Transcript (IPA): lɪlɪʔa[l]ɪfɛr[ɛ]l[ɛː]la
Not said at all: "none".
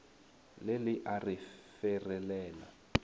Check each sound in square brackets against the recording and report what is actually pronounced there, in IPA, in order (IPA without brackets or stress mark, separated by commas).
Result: r, ɛ, ɛː